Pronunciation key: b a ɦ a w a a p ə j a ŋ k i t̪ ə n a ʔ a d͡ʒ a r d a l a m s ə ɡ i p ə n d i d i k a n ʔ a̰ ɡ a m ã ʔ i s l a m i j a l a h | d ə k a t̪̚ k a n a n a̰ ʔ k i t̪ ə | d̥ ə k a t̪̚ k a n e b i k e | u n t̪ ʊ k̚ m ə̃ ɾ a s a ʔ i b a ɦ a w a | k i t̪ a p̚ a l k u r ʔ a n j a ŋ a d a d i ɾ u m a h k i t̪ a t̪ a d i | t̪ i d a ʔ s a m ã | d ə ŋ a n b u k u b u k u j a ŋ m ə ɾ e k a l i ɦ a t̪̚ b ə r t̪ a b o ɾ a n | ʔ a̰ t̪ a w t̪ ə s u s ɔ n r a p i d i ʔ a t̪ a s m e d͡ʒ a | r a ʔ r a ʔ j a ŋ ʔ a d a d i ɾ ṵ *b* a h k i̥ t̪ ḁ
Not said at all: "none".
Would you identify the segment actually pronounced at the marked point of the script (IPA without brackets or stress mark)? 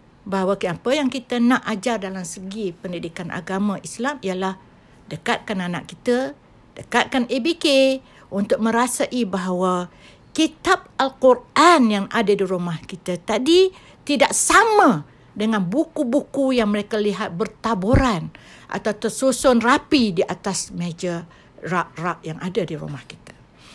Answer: m